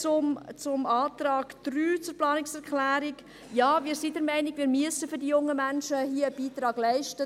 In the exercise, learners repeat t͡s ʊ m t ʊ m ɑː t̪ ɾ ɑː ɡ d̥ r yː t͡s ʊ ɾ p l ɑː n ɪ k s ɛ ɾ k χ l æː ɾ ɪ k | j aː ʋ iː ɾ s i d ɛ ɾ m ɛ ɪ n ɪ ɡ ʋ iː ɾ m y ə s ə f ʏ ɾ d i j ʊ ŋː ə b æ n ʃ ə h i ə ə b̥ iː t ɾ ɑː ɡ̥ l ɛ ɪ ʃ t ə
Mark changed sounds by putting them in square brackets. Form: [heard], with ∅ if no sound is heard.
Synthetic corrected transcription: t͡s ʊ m [t͡s] ʊ m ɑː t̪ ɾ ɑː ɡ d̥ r yː t͡s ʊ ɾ p l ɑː n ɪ k s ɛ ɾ k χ l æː ɾ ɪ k | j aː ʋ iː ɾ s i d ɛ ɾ m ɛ ɪ n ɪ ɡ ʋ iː ɾ m y ə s ə f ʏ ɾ d i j ʊ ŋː ə [m] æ n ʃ ə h i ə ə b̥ iː t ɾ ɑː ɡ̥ l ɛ ɪ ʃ t ə